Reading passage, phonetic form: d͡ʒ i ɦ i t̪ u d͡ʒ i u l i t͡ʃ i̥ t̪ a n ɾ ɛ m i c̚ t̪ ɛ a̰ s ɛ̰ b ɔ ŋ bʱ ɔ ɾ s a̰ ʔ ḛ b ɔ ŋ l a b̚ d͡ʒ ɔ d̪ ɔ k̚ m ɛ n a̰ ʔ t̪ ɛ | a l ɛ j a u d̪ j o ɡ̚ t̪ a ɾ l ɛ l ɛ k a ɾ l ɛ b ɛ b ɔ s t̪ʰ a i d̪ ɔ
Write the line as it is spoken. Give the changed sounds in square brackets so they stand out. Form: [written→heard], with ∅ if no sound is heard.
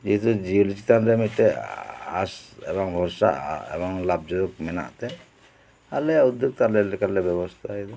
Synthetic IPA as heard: d͡ʒ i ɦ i t̪ u d͡ʒ i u l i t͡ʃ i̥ t̪ a n ɾ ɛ m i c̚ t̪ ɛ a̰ s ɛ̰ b ɔ ŋ bʱ ɔ ɾ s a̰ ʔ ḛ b ɔ ŋ l a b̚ d͡ʒ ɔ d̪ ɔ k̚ m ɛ n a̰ ʔ t̪ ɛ | a l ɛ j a u d̪ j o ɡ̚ t̪ a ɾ l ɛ l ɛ k a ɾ l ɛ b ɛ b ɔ s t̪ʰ a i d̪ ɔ